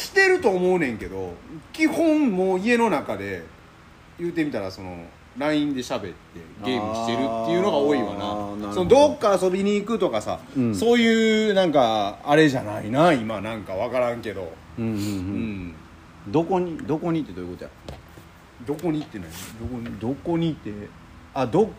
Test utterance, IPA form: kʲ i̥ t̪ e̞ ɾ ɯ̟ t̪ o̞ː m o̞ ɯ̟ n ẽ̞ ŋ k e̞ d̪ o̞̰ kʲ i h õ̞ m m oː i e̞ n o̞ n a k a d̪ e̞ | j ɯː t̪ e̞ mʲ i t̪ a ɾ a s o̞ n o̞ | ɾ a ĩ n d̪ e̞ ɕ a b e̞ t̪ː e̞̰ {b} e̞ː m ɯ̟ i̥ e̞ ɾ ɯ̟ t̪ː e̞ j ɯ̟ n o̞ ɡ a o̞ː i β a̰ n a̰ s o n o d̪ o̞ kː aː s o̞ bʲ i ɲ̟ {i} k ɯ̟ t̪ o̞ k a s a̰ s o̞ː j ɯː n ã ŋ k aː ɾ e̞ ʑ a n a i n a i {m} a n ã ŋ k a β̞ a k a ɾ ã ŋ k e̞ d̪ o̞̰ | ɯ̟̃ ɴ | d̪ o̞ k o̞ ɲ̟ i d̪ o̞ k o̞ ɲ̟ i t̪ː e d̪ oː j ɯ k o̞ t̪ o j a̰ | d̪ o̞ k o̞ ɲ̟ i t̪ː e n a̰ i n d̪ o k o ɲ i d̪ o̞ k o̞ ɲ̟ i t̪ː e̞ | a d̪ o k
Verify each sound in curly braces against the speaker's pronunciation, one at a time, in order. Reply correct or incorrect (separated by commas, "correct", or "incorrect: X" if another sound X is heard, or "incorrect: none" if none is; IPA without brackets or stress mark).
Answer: incorrect: ɡ, incorrect: iː, correct